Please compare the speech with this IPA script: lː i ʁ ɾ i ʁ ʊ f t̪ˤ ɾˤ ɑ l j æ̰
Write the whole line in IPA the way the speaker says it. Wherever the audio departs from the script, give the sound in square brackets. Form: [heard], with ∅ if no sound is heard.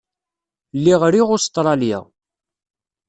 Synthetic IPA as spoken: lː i ʁ ɾ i ʁ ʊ [s] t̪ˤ ɾˤ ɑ l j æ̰